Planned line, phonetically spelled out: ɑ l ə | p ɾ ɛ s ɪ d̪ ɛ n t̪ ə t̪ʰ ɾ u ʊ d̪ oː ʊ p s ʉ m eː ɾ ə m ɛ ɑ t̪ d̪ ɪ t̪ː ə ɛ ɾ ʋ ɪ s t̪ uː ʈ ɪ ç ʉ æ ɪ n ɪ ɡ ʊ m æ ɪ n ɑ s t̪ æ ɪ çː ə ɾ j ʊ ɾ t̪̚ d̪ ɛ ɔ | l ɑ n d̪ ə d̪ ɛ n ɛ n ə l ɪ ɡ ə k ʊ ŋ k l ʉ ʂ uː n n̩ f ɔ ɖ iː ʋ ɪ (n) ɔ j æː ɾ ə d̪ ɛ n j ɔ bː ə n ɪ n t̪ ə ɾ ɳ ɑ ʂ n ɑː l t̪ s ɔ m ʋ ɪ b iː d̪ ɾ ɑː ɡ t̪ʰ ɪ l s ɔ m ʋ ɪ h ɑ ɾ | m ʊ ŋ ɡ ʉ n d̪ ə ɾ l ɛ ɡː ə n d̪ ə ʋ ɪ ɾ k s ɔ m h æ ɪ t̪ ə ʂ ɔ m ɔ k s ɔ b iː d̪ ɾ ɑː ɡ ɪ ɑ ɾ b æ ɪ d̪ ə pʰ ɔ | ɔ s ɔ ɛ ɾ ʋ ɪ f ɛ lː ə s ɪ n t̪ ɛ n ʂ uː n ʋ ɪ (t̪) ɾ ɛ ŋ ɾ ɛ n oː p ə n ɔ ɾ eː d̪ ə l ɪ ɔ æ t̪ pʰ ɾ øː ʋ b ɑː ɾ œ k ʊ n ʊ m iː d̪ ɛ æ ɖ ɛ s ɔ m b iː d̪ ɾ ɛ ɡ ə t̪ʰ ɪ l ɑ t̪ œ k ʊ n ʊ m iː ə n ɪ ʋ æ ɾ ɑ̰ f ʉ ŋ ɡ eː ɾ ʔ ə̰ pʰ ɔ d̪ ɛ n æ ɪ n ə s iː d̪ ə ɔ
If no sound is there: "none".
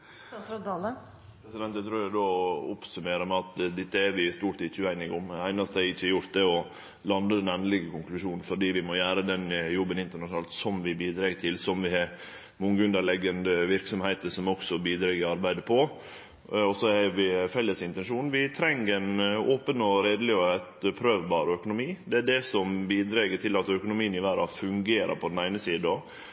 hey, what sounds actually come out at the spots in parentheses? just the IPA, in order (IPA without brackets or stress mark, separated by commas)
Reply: m, t̪ʰ